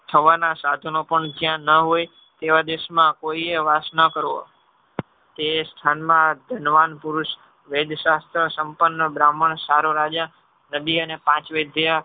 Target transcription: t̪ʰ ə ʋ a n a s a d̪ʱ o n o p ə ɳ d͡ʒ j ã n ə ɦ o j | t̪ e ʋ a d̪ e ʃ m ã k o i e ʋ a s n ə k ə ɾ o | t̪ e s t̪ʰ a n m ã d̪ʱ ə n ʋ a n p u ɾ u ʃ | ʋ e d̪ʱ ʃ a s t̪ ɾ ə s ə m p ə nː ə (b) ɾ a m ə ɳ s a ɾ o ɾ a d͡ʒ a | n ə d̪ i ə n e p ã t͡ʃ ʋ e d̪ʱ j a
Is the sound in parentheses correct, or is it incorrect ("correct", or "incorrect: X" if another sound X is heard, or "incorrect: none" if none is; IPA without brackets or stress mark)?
correct